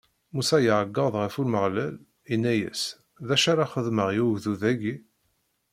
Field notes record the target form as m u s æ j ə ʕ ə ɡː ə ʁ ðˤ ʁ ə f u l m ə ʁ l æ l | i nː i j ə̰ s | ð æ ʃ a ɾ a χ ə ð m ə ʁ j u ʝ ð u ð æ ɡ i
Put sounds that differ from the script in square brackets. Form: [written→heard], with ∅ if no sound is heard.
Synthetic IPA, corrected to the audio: m u s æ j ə ʕ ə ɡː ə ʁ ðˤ ʁ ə f u l m ə ʁ l æ l | i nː [i→æ] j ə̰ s | ð æ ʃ a ɾ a χ ə ð m ə ʁ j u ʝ ð u ð æ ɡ i